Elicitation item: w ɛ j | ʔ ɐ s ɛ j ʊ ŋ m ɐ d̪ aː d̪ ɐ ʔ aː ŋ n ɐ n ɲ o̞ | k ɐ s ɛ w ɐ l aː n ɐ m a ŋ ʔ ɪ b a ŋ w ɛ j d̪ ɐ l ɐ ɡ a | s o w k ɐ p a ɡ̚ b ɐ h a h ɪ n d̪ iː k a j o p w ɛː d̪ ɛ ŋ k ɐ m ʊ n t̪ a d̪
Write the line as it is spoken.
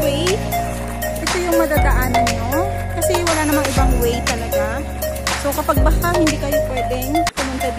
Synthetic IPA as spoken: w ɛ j | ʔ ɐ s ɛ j ʊ ŋ m ɐ d̪ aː d̪ ɐ ʔ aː n ɐ n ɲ o̞ | k ɐ s ɛ w ɐ l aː n ɐ m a ŋ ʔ ɪ b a ŋ w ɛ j t̪ ɐ l ɐ ɡ a | s o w k ɐ p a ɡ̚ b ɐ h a h ɪ n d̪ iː k ɐ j o p w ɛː d̪ ɛ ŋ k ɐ m ʊ n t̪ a d̪